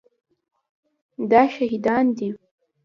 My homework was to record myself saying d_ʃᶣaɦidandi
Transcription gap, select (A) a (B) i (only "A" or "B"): A